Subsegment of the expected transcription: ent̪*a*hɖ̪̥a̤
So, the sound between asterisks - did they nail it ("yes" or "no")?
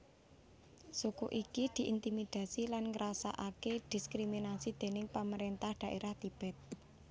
yes